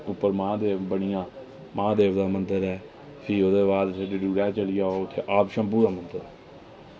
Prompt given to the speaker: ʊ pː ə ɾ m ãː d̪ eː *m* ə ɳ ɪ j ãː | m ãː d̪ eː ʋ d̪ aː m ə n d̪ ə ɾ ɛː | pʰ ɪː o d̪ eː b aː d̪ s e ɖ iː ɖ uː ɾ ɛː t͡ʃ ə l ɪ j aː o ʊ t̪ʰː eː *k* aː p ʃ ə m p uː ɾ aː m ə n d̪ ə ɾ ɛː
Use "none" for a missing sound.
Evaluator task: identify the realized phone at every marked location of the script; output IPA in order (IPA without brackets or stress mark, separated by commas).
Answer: b, ʔ